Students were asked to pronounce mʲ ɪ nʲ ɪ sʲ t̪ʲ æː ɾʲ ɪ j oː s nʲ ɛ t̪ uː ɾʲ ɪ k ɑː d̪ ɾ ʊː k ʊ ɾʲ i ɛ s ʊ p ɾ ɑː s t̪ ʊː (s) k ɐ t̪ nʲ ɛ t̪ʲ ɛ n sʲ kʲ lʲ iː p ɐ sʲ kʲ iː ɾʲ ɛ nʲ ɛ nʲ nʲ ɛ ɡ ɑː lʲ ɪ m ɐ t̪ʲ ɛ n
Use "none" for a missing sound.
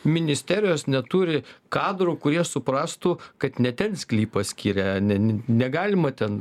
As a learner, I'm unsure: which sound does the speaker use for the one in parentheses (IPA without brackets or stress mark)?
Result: none